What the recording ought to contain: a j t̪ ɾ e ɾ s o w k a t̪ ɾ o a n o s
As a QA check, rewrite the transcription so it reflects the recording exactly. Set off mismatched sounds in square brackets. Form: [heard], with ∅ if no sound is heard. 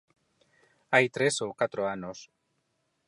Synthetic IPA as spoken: a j t̪ ɾ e [∅] s o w k a t̪ ɾ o a n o s